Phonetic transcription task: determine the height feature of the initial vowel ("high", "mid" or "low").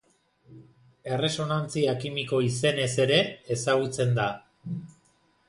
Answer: mid